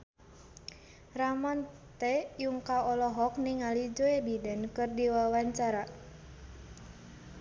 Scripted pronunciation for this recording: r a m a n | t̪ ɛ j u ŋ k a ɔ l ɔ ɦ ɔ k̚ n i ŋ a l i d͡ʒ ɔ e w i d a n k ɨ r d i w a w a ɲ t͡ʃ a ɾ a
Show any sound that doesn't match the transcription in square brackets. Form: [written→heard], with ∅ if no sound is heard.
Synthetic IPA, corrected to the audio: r a m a n | t̪ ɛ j u ŋ k a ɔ l ɔ ɦ ɔ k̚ n i ŋ a l i d͡ʒ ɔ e [w→b] i d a n k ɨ r d i w a w a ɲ t͡ʃ a ɾ a